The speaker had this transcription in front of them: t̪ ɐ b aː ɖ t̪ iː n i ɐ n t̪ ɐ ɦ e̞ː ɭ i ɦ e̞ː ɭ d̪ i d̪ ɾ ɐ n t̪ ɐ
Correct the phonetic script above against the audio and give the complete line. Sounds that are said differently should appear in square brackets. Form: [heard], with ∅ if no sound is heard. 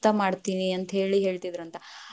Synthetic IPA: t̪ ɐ [m] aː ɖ t̪ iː n i ɐ n t̪ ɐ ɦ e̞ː ɭ i ɦ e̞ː ɭ [t̪] i d̪ ɾ ɐ n t̪ ɐ